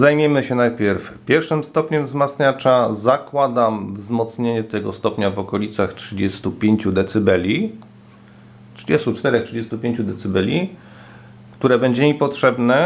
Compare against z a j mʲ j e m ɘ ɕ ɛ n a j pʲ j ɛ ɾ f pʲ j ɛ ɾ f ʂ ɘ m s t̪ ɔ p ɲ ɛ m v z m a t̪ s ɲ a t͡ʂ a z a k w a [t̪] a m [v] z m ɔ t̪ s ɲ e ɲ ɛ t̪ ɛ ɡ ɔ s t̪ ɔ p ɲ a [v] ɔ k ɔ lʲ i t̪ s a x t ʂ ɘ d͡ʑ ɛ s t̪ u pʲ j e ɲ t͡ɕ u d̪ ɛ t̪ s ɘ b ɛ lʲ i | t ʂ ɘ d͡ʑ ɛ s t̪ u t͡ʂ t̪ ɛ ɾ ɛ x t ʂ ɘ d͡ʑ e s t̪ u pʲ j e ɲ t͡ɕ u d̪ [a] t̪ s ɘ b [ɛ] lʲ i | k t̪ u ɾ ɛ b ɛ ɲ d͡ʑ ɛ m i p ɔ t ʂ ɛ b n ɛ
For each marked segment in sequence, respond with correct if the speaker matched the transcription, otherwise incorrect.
incorrect: d̪, correct, correct, incorrect: ɛ, correct

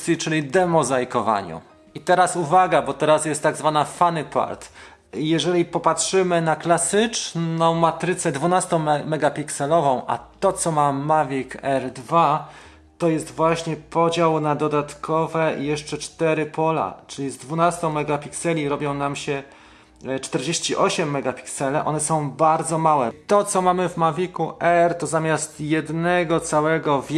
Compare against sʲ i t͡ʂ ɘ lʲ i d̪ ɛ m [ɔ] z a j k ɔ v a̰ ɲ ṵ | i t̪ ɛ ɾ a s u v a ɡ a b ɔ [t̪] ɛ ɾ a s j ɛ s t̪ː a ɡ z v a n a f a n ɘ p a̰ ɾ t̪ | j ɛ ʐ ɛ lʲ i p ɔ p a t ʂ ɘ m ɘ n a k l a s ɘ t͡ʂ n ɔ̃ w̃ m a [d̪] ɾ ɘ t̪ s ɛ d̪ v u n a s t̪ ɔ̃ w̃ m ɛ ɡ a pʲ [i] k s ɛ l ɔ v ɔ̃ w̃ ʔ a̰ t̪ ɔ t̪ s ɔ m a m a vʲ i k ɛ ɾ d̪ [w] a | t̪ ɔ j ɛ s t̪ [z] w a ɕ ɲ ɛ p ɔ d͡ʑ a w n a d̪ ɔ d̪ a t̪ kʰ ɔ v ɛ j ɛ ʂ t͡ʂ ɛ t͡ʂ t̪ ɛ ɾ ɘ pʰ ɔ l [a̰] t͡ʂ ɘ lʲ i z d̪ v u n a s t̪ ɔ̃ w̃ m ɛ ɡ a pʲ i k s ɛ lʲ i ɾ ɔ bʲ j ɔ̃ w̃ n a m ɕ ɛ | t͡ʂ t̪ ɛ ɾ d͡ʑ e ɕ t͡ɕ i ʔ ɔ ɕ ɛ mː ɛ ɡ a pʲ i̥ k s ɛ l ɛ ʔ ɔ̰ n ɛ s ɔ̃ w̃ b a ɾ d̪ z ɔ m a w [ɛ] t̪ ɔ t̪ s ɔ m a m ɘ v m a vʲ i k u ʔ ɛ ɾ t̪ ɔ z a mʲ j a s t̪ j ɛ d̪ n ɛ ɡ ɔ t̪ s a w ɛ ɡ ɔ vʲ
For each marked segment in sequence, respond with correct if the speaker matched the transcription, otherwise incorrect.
correct, correct, incorrect: t̪, correct, incorrect: v, incorrect: v, correct, correct

